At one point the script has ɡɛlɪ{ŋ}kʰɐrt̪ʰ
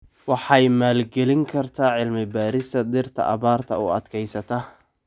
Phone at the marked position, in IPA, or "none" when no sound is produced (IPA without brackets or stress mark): ŋ